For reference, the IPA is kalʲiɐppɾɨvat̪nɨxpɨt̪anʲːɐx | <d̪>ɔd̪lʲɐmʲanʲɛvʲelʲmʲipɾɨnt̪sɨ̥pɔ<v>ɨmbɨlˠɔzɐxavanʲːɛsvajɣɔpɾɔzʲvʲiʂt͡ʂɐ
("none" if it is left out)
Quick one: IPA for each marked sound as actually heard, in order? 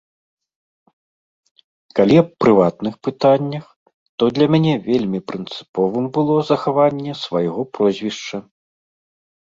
t̪, v

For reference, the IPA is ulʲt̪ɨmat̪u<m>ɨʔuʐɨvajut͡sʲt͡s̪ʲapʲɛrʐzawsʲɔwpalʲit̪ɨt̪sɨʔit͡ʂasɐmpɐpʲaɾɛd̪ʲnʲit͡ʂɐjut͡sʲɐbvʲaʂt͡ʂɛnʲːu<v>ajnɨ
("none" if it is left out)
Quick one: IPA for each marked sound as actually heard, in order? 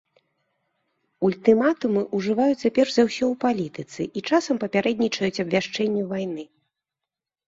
m, v

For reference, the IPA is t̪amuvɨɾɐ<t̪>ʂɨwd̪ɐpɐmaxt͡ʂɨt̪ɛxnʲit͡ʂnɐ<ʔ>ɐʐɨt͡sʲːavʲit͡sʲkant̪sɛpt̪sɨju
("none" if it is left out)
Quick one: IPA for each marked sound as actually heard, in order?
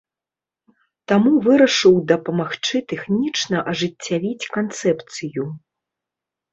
none, ʔ

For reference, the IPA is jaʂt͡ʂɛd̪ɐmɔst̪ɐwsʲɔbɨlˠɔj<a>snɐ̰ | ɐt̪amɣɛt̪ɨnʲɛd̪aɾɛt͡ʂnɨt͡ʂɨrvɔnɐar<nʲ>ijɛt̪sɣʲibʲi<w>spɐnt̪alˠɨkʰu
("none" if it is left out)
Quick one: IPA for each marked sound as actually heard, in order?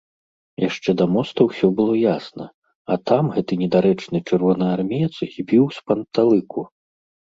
a, mʲ, w

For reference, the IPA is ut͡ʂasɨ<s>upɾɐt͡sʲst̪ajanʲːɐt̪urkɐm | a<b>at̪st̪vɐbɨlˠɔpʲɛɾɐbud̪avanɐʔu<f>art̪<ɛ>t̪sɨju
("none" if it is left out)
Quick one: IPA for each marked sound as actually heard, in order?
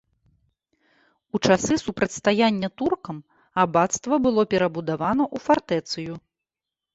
s, b, f, ɛ

